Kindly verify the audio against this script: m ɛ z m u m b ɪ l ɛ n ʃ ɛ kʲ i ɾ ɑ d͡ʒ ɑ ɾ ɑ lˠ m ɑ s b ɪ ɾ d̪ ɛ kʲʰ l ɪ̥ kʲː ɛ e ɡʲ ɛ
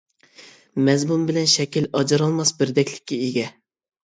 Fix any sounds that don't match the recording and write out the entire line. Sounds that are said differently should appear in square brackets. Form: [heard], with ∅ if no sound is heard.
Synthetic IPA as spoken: m ɛ z m u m b ɪ l ɛ n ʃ ɛ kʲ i [l] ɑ d͡ʒ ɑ ɾ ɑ lˠ m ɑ s b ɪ ɾ d̪ ɛ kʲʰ l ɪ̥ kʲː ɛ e ɡʲ ɛ